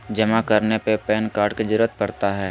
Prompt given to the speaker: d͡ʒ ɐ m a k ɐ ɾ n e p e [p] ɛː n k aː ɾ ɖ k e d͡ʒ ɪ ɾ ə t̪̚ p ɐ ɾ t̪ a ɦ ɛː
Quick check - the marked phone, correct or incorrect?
correct